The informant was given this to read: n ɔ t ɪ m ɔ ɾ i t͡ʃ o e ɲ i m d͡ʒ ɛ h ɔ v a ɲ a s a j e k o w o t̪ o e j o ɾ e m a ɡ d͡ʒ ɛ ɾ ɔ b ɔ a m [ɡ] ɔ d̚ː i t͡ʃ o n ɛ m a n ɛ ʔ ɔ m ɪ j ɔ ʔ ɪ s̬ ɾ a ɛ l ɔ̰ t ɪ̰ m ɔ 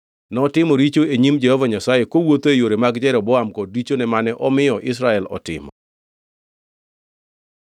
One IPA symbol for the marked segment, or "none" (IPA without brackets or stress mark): k